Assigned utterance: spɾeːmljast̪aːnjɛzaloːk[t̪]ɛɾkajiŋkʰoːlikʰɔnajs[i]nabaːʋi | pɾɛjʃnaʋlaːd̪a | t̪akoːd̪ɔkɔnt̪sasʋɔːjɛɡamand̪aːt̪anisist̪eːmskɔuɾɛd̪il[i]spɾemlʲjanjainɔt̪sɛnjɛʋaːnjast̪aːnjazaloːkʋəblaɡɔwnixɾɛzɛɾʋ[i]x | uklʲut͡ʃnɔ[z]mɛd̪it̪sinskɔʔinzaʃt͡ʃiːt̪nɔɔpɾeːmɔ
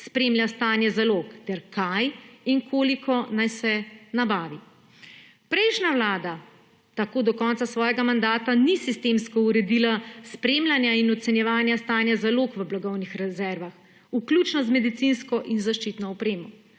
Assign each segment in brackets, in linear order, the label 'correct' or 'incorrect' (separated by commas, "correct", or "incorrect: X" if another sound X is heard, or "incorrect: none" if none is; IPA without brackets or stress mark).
correct, incorrect: ɛ, incorrect: a, incorrect: a, correct